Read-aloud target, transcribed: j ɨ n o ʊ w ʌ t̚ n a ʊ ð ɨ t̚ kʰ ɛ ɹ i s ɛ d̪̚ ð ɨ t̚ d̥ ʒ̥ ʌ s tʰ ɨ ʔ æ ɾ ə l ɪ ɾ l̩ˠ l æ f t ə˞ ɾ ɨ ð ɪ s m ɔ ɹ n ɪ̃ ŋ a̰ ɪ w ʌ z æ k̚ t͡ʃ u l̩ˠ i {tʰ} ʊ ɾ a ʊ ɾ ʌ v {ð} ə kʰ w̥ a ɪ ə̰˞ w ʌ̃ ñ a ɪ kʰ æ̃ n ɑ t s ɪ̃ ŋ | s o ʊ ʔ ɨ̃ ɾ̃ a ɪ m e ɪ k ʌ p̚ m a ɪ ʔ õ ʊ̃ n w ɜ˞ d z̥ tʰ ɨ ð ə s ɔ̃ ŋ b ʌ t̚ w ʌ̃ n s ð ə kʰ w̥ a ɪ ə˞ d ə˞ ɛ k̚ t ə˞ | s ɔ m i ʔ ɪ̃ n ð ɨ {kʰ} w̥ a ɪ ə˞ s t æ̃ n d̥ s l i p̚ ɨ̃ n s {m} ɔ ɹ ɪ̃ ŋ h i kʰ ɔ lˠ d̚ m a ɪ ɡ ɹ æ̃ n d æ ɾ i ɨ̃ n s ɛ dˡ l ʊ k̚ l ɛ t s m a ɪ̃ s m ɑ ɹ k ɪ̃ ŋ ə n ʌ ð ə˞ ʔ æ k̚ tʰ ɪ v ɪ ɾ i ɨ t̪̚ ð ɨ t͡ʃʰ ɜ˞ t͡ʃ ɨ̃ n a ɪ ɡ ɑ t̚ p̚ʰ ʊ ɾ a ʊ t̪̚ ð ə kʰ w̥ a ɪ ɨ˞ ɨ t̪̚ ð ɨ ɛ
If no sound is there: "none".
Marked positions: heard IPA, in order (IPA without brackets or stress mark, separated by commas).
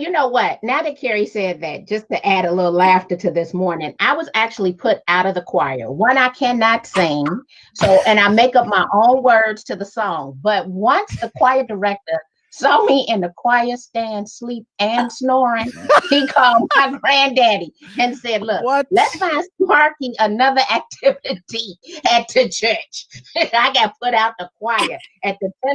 pʰ, ð, kʰ, n